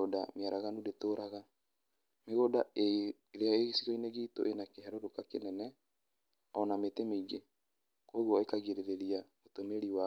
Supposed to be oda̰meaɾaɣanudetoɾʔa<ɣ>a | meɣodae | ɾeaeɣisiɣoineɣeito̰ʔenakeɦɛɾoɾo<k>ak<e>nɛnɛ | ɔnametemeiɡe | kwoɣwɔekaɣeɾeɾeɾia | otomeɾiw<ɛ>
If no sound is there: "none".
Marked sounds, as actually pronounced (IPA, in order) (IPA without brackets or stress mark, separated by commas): ɣ, k, e, a